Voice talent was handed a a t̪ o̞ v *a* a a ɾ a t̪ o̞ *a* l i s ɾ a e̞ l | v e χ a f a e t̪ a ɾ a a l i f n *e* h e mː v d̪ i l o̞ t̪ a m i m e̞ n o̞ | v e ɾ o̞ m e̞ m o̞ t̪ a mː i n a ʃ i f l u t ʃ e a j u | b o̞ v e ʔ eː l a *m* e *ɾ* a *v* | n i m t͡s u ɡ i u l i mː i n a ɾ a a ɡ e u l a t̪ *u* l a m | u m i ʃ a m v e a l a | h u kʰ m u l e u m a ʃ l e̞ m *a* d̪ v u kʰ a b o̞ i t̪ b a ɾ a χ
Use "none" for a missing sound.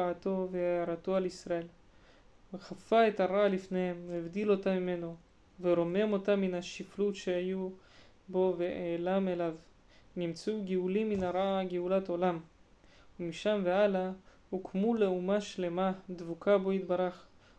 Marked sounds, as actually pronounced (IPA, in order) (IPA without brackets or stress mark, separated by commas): e, a, e, m, l, v, o, a